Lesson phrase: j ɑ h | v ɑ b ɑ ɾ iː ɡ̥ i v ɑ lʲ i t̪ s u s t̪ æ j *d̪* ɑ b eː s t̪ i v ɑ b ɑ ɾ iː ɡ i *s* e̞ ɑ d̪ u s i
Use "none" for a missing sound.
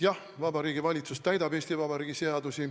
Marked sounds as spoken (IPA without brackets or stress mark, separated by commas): d̪, s